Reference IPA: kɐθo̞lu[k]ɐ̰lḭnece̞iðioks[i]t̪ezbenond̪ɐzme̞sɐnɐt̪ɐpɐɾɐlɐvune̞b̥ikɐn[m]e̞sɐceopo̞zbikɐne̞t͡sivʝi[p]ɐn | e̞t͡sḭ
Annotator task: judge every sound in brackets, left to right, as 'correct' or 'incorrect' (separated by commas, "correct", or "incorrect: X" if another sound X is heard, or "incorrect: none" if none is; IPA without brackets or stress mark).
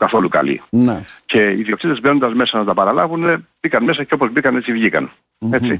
correct, correct, correct, incorrect: k